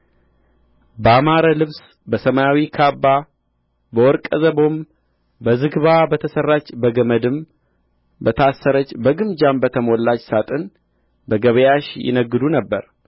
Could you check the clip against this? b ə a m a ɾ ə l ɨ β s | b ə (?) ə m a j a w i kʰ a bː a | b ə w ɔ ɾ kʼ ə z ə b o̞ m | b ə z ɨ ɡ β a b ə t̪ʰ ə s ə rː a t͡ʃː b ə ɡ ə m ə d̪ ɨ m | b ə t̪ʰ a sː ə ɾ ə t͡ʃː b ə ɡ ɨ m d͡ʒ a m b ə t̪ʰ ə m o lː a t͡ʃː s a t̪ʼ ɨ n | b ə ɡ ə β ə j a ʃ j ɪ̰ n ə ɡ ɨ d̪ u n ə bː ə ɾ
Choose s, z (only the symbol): s